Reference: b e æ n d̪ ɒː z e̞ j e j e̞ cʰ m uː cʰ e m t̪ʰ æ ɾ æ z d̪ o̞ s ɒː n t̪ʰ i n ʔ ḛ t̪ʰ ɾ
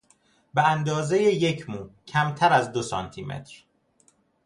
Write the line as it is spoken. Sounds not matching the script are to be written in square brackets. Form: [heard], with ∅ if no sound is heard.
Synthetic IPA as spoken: b e æ n d̪ ɒː z e̞ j e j e̞ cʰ m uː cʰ [æ] m t̪ʰ æ ɾ æ z d̪ o̞ s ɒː n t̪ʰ i [m] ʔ ḛ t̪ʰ ɾ